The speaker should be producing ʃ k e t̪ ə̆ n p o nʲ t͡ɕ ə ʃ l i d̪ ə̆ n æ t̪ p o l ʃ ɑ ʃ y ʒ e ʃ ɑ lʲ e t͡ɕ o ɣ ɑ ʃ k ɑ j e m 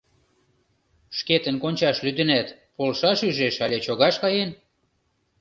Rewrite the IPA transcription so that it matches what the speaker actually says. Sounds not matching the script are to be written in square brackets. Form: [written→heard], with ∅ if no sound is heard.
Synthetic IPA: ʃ k e t̪ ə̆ n [p→k] o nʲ t͡ɕ [ə→ɑ] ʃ l [i→y] d̪ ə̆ n æ t̪ p o l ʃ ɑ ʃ y ʒ e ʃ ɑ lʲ e t͡ɕ o ɣ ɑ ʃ k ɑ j e [m→n]